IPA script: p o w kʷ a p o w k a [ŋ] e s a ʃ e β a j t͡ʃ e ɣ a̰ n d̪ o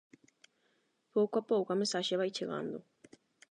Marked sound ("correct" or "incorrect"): incorrect